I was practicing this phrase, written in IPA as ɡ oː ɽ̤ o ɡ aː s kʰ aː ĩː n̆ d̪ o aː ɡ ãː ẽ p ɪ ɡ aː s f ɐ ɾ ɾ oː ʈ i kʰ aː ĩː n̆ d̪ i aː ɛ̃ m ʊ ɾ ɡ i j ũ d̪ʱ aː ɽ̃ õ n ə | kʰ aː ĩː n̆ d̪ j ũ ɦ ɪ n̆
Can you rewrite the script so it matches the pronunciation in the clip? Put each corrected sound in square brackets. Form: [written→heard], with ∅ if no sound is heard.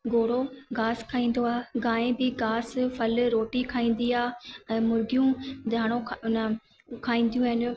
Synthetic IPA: ɡ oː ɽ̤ o ɡ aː s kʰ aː ĩː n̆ d̪ o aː ɡ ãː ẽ [p→b] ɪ ɡ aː s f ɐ [ɾ→l] ɾ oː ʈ i kʰ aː ĩː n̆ d̪ i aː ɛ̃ m ʊ ɾ ɡ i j ũ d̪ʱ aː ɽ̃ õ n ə | kʰ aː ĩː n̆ d̪ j ũ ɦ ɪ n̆